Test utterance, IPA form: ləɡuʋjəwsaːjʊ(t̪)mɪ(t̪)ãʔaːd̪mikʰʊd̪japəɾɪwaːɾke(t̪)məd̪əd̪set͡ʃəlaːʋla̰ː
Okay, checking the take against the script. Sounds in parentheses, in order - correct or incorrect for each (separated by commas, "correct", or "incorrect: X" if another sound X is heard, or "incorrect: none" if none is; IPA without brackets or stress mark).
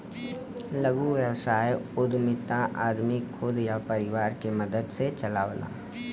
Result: incorrect: d̪, correct, incorrect: none